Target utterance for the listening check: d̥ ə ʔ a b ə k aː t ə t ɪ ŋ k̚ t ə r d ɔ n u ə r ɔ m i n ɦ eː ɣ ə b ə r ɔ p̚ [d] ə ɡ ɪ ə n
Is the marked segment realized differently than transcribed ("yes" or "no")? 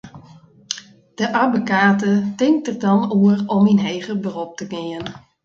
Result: yes